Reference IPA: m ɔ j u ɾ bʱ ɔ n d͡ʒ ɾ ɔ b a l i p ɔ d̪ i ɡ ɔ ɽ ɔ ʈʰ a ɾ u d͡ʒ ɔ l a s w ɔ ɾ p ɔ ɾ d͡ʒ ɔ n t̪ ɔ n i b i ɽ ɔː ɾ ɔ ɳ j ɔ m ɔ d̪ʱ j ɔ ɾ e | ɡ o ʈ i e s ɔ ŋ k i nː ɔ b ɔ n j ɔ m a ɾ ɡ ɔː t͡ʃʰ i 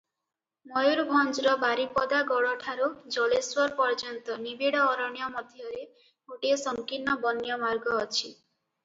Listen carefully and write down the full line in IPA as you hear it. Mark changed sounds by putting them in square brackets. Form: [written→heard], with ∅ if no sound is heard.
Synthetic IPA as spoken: m ɔ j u ɾ bʱ ɔ n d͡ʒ ɾ ɔ b a [l→ɾ] i p ɔ d̪ [i→a] ɡ ɔ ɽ ɔ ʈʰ a ɾ u d͡ʒ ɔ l [a→e] s w ɔ ɾ p ɔ ɾ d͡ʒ ɔ n t̪ ɔ n i b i ɽ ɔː ɾ ɔ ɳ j ɔ m ɔ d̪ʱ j ɔ ɾ e | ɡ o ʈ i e s ɔ ŋ k i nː ɔ b ɔ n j ɔ m a ɾ ɡ ɔː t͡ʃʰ i